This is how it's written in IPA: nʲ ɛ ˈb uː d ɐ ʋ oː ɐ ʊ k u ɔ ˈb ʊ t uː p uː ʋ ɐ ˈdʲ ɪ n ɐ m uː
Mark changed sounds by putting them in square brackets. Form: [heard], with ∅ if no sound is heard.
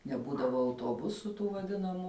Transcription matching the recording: nʲ ɛ ˈb uː d ɐ ʋ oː ɐ ʊ [t] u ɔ ˈb ʊ [s] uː [t] uː ʋ ɐ ˈdʲ ɪ n ɐ m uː